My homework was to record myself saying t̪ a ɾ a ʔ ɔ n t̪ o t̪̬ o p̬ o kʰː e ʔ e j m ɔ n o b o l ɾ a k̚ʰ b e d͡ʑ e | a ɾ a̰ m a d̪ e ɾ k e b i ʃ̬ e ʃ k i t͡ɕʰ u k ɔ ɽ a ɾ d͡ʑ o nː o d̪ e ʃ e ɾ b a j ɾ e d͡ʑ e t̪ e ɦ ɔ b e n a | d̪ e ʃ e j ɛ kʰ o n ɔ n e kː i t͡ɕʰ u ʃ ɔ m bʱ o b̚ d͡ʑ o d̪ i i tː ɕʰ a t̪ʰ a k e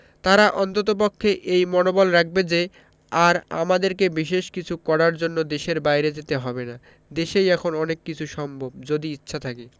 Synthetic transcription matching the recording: t̪ a ɾ a ʔ ɔ n t̪ o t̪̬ o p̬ o kʰː e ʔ e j m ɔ n o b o l ɾ a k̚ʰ b e d͡ʑ e | a ɾ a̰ m a d̪ e ɾ k e b i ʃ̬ e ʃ k i t͡ɕʰ u k ɔ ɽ a ɾ d͡ʑ o nː o d̪ e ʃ e ɾ b a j ɾ e d͡ʑ e t̪ e ɦ ɔ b e n a | d̪ e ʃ e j ɛ kʰ o n ɔ n e kː i t͡ɕʰ u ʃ ɔ m bʱ o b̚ d͡ʑ o d̪ i i tː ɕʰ a t̪ʰ a k e